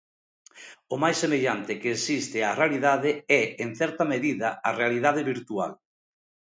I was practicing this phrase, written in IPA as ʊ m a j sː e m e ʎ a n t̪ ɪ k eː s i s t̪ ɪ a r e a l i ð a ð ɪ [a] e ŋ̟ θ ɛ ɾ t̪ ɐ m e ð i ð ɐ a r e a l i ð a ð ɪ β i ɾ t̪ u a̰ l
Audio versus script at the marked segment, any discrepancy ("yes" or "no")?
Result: yes